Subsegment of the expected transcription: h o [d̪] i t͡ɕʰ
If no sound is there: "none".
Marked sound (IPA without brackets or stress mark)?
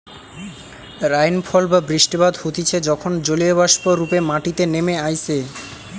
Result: t̪